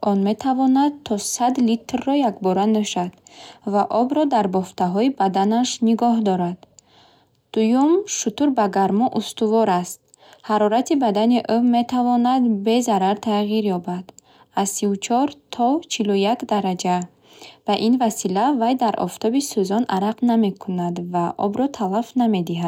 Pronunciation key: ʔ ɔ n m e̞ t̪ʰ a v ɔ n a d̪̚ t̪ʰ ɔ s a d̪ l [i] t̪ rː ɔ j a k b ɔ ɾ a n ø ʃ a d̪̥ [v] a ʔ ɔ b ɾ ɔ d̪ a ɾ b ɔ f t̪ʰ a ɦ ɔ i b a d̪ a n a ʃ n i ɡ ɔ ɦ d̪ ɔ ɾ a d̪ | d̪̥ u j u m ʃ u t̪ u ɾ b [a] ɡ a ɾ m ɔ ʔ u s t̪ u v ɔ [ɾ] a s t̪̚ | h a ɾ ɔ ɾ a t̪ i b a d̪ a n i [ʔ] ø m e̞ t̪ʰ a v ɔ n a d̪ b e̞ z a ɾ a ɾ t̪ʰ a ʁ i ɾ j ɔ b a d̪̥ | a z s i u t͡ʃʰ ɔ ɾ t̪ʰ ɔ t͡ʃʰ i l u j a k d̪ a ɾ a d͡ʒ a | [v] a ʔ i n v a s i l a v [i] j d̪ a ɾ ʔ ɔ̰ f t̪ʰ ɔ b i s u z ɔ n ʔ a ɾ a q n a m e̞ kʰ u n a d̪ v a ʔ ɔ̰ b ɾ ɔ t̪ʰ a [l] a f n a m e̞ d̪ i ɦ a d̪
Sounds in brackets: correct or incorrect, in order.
correct, correct, correct, correct, correct, correct, incorrect: a, correct

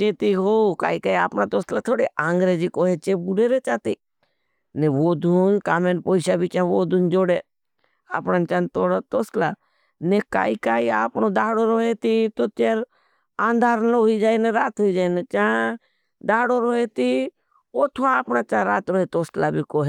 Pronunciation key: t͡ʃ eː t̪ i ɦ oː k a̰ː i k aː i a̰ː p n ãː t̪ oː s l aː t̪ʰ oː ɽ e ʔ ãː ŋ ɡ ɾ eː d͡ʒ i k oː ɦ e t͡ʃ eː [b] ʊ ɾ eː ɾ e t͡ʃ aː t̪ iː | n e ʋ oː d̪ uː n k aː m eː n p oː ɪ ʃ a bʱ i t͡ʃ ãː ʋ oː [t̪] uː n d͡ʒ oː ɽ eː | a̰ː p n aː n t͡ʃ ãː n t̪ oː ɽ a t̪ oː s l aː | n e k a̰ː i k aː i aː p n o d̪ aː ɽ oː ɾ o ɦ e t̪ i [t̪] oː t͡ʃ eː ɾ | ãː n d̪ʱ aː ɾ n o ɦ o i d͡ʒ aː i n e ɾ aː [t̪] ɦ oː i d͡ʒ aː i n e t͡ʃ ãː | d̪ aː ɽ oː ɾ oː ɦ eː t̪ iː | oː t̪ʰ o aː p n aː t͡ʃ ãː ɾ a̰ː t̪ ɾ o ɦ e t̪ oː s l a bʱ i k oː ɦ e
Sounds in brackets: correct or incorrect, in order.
correct, incorrect: d̪, correct, correct

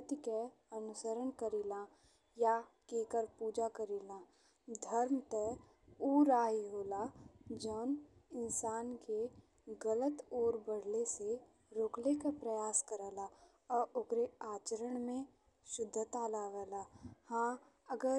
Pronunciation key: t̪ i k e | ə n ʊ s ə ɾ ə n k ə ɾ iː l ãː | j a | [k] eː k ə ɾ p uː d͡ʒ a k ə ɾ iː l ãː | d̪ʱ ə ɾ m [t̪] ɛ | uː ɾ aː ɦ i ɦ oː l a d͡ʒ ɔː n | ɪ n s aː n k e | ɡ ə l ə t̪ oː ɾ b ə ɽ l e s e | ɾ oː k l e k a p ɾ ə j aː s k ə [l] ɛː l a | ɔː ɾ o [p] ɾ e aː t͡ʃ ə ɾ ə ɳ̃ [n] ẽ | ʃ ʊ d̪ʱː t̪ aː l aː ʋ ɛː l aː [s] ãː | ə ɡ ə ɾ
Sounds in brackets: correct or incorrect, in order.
correct, correct, incorrect: ɾ, incorrect: k, incorrect: m, incorrect: h

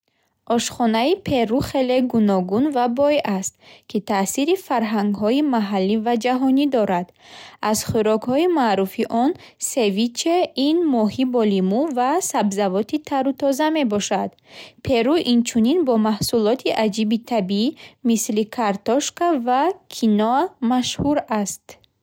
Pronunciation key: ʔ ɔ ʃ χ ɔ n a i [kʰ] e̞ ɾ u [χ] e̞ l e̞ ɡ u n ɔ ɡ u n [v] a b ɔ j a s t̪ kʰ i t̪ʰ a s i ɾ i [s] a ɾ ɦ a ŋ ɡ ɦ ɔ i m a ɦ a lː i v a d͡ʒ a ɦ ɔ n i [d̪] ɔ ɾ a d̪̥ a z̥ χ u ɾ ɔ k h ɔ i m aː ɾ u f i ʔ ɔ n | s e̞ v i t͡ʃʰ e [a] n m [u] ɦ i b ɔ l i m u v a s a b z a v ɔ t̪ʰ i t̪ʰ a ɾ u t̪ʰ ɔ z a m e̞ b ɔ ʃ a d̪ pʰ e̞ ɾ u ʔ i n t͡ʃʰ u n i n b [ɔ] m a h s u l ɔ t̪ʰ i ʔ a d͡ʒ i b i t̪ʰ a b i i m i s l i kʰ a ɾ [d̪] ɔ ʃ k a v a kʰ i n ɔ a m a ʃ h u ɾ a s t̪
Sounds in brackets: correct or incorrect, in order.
incorrect: pʰ, correct, correct, incorrect: f, correct, incorrect: i, incorrect: ɔ, correct, incorrect: t̪

